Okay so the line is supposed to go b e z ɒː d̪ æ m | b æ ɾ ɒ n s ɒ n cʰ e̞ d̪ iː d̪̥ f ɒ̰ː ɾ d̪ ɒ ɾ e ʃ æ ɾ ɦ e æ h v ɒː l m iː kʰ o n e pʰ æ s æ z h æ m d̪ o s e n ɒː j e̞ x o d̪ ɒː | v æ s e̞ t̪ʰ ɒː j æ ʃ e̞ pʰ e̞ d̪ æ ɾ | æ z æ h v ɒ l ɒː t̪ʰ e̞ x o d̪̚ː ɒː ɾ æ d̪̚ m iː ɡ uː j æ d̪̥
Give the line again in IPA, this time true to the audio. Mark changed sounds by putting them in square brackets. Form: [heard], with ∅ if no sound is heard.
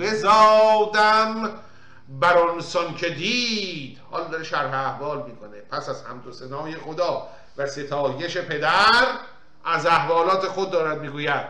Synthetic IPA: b e z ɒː d̪ æ m | b æ ɾ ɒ n s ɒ n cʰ e̞ d̪ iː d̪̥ [h] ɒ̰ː [l] d̪ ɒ ɾ e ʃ æ ɾ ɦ e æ h v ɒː l m iː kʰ o n e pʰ æ s æ z h æ m d̪ o s e n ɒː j e̞ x o d̪ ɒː | v æ s e̞ t̪ʰ ɒː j [e] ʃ e̞ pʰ e̞ d̪ æ ɾ | æ z æ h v [ɒː] l ɒː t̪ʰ e̞ x o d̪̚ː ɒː ɾ æ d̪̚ m iː ɡ uː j æ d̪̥